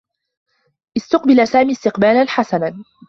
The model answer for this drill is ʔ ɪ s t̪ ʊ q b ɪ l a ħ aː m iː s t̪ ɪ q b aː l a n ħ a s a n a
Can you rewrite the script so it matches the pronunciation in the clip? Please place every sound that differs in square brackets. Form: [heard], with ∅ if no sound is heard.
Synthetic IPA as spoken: ʔ ɪ s t̪ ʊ q b ɪ l a [s] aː m iː s t̪ ɪ q b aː l a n ħ a s a n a